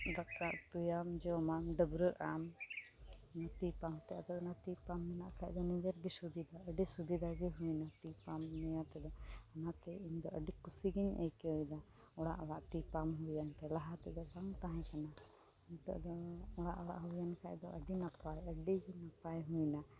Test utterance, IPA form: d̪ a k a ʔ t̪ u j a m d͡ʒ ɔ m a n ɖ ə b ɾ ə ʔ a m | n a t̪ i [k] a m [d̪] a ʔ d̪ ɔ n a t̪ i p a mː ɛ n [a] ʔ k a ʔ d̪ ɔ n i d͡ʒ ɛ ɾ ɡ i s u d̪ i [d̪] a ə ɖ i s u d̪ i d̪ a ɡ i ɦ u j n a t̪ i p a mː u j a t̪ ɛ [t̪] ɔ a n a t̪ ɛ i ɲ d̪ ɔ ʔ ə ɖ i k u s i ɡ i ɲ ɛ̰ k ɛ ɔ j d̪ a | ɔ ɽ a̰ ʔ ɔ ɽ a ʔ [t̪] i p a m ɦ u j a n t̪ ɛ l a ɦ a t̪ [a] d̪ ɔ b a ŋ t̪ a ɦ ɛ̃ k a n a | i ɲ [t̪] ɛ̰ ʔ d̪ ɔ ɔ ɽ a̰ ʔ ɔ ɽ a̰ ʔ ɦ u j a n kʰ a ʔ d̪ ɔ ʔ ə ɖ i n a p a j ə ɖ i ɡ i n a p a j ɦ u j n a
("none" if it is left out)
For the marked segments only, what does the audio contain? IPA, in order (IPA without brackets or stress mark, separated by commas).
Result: p, t̪, a, d̪, d̪, t̪, ɛ, t̪